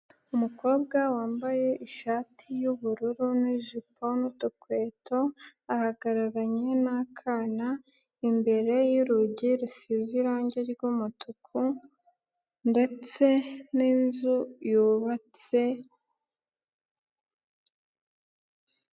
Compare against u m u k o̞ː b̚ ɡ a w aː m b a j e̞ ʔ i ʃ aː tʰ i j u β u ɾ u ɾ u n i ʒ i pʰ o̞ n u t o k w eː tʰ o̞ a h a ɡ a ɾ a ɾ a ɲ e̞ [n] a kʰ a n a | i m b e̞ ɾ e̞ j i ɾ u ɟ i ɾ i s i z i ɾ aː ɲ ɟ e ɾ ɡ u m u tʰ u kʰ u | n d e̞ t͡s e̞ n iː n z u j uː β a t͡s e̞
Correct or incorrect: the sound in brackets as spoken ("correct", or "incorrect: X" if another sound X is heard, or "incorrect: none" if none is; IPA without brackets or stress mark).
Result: correct